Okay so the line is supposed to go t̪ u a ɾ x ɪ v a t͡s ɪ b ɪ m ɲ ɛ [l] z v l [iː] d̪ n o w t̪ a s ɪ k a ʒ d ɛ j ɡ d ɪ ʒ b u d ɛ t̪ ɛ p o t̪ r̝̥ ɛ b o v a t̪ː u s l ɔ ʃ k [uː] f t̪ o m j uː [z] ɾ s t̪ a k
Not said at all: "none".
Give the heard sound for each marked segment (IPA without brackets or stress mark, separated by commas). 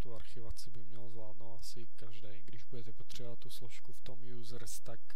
l, aː, u, z